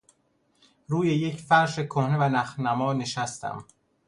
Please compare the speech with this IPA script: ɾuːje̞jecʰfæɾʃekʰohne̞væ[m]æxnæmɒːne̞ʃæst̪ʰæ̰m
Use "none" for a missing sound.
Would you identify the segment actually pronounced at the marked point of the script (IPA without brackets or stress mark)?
n